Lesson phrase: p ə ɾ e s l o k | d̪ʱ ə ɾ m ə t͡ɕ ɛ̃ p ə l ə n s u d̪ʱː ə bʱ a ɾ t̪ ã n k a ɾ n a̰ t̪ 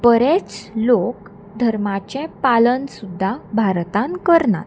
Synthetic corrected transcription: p ə ɾ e t͡s l o k | d̪ʱ ə ɾ m a t͡ɕ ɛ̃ p a l ə n s u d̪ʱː a bʱ a ɾ t̪ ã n k ə ɾ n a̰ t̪